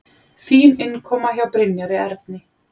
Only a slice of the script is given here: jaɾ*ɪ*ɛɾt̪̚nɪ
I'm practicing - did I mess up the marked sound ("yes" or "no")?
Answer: no